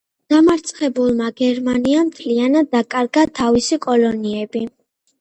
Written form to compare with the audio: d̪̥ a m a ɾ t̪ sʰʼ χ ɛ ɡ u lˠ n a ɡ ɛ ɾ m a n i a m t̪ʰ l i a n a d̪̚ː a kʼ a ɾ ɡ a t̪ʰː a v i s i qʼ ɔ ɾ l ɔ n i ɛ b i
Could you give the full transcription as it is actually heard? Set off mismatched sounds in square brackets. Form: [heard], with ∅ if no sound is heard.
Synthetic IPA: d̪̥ a m a ɾ t̪ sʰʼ χ ɛ [b] u lˠ [m] a ɡ ɛ ɾ m a n i a m t̪ʰ l i a n a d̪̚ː a kʼ a ɾ ɡ a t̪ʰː a v i s i [kʼ] ɔ [∅] l ɔ n i ɛ b i